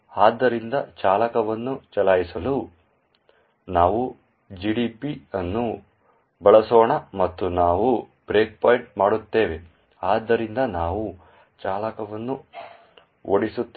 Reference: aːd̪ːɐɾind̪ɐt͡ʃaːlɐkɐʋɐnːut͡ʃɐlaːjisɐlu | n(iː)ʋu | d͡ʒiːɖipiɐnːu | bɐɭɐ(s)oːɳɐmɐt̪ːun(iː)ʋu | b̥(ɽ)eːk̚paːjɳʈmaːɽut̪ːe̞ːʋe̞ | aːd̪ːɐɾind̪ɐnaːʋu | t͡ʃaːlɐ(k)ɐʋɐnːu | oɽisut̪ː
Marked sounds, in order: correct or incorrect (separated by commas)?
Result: incorrect, correct, incorrect, incorrect, correct